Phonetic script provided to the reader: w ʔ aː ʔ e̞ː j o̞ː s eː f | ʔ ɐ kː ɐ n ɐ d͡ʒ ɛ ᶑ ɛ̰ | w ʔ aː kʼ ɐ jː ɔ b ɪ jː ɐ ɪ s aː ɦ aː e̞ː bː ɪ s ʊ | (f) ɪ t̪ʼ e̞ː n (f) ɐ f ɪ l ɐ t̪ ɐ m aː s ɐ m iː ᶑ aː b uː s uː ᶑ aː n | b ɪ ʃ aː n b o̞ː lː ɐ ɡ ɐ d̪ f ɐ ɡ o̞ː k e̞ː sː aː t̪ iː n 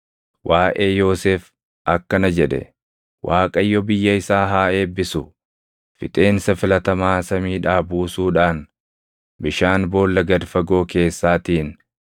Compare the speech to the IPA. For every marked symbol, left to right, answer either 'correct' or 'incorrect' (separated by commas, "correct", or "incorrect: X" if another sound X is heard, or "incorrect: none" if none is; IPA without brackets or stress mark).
correct, incorrect: s